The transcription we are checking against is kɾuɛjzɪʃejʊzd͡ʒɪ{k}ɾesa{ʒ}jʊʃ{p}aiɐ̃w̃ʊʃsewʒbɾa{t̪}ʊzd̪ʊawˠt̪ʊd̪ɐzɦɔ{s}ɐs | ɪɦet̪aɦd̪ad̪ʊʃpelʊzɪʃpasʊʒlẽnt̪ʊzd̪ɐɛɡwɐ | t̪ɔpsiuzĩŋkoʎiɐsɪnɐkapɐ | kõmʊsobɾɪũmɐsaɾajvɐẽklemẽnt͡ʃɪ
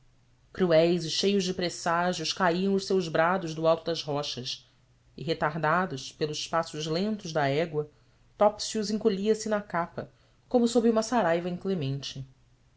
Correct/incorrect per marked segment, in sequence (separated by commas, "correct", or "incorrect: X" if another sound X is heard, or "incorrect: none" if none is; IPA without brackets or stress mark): incorrect: p, correct, incorrect: k, incorrect: d̪, incorrect: ʃ